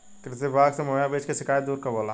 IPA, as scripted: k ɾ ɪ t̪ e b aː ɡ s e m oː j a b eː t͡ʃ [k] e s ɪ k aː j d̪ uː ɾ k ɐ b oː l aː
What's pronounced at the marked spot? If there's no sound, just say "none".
k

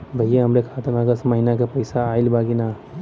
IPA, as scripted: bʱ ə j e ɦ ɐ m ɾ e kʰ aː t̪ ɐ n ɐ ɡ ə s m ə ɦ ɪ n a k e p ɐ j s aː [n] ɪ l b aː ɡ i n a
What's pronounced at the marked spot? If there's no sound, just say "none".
none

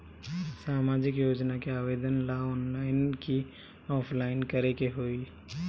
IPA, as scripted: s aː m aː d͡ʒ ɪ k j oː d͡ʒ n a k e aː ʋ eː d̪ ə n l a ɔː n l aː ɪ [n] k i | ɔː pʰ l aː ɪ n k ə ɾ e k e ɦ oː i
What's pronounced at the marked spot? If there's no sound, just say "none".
n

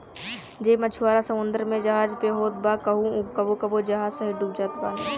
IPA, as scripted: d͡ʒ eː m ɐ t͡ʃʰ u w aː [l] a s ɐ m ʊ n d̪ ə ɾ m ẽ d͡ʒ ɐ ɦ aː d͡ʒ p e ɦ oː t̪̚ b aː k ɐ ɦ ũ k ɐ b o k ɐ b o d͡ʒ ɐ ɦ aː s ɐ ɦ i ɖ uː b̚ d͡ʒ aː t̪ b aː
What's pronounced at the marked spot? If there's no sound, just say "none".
ɾ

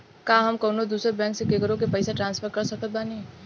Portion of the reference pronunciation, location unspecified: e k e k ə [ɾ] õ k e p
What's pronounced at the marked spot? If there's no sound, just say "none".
ɾ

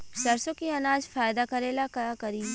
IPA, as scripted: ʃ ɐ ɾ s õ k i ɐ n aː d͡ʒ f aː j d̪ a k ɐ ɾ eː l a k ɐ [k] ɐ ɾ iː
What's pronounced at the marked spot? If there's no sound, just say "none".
k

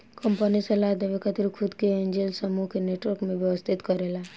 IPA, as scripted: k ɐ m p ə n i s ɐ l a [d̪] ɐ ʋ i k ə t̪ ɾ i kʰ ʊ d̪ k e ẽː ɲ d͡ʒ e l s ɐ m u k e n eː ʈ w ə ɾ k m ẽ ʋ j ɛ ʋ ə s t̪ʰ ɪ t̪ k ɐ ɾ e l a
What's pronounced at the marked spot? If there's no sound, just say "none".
d̪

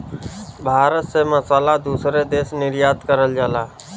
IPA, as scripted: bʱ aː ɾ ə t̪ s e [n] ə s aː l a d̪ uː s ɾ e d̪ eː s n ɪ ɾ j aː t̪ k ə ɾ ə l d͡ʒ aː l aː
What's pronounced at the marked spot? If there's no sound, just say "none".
m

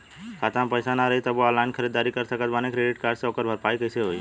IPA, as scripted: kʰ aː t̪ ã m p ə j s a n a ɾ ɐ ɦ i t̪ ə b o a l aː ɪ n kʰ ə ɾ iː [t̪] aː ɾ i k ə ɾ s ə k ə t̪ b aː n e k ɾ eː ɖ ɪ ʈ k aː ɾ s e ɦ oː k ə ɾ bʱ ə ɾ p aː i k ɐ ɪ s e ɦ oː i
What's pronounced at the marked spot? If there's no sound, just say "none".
d̪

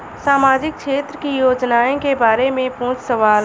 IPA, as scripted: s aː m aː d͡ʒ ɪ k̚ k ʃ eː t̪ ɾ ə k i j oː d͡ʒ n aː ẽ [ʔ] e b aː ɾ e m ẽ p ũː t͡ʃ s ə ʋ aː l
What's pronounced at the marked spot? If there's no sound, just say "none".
k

